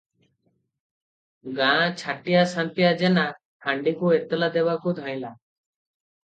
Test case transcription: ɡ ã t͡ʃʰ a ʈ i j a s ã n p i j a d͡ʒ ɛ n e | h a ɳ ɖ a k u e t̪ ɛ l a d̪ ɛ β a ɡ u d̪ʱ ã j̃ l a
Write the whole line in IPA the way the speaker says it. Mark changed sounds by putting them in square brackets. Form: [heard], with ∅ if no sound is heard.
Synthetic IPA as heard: ɡ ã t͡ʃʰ a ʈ i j a s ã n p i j a d͡ʒ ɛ n [a] | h a ɳ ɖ [i] k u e t̪ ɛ l a d̪ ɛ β a [k] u d̪ʱ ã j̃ l a